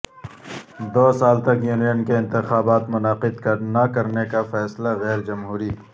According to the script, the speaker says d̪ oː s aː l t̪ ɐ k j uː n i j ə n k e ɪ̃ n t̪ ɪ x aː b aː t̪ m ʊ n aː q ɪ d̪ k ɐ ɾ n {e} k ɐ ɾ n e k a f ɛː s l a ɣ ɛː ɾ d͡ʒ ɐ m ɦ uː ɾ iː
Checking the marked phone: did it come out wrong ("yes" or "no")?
yes